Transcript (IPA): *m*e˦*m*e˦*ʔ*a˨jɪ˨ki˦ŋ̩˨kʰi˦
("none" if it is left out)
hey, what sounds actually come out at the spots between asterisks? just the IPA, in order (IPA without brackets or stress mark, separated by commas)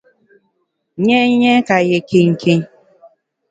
ɲ, ɲ, k